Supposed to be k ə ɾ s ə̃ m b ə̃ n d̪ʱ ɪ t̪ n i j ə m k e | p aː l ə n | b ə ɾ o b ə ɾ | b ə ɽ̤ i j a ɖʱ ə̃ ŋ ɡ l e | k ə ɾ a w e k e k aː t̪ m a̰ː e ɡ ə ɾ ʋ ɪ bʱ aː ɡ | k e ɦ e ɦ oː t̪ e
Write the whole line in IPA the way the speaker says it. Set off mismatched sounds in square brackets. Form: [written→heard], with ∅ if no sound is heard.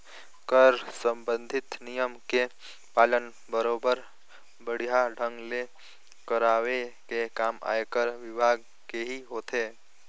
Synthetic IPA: k ə ɾ s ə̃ m b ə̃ n d̪ʱ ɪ t̪ n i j ə m k e | p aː l ə n | b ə ɾ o b ə ɾ | b ə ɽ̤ i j a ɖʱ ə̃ ŋ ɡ l e | k ə ɾ a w e k e k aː [t̪→∅] m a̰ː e [ɡ→k] ə ɾ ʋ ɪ bʱ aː ɡ | k e ɦ [e→i] ɦ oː t̪ e

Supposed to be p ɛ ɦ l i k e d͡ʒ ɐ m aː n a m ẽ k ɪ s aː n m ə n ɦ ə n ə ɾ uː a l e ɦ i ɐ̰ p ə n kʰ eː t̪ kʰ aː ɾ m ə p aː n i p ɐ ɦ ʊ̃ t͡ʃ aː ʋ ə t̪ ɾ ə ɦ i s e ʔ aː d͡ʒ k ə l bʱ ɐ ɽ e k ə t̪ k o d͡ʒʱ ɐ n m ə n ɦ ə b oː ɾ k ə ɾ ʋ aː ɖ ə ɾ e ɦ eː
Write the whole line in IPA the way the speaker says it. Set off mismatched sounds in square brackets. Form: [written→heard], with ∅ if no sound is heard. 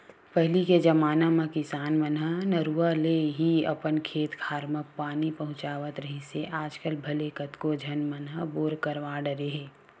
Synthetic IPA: p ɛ ɦ l i k e d͡ʒ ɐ m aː n a m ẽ k ɪ s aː n m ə n ɦ ə n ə ɾ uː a l e ɦ i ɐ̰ p ə n kʰ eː t̪ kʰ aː ɾ m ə p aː n i p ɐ ɦ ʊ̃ t͡ʃ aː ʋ ə t̪ ɾ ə ɦ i s e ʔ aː d͡ʒ k ə l bʱ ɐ [ɽ→l] e k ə t̪ k o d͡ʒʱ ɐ n m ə n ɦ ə b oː ɾ k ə ɾ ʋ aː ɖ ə ɾ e ɦ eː

